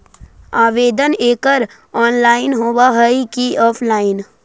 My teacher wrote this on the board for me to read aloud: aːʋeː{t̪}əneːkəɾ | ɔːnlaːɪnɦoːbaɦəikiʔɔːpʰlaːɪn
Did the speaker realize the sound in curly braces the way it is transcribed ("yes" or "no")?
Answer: no